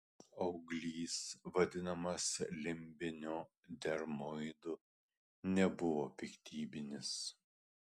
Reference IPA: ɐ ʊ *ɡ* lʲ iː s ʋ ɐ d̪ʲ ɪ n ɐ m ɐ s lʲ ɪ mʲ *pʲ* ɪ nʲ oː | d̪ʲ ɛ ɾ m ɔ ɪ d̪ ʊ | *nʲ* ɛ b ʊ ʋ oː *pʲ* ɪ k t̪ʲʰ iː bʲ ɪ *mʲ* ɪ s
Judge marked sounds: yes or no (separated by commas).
yes, no, yes, yes, no